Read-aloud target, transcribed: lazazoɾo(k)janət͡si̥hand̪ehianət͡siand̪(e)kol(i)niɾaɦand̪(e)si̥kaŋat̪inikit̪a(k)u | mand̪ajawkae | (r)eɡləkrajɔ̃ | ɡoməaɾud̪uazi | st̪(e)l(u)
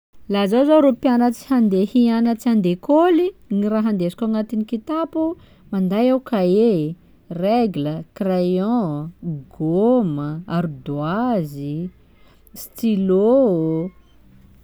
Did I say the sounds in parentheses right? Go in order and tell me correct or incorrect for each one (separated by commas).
incorrect, correct, correct, correct, incorrect, correct, incorrect, incorrect